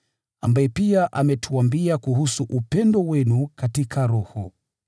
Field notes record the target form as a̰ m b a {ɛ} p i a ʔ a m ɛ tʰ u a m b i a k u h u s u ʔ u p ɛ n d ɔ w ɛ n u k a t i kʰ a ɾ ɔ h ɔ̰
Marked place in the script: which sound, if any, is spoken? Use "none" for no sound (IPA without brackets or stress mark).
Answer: ɛ